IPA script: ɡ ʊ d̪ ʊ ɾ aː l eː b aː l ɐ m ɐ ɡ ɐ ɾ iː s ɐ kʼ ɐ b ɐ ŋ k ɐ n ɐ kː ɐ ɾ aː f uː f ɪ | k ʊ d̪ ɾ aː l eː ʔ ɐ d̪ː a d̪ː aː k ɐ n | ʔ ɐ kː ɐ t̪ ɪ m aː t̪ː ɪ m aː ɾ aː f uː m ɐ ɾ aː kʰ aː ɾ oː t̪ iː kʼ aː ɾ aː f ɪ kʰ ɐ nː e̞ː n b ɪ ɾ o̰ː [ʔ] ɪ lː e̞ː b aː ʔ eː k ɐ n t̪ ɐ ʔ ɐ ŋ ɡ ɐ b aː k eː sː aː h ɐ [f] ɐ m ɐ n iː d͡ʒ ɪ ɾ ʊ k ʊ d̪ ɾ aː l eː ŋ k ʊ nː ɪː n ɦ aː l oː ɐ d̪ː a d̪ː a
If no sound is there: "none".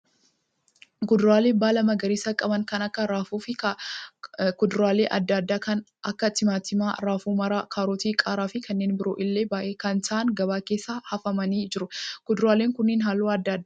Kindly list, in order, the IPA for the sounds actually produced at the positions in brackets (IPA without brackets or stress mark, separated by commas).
ʔ, f